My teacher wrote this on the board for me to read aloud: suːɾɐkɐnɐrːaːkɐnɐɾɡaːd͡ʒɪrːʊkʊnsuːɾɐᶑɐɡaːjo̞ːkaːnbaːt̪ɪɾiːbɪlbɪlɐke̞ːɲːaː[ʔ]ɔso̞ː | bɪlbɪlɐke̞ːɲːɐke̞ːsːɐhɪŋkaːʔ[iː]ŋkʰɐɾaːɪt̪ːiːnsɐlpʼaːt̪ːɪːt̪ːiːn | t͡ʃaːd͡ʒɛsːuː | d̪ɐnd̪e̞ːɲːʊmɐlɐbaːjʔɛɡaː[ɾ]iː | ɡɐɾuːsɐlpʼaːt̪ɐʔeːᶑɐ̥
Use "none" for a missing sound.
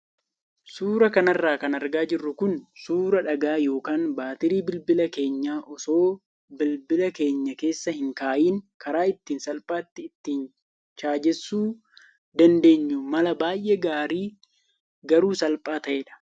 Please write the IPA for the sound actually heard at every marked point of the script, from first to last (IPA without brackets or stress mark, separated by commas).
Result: ʔ, iː, ɾ